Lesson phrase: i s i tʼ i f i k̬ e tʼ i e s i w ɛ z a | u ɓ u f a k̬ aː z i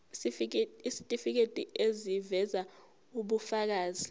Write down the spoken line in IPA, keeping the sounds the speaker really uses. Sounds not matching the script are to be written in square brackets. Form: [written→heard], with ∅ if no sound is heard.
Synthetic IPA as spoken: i s i tʼ i f i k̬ e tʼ i e [s→z] i [w→v] ɛ z a | u ɓ u f a k̬ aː z i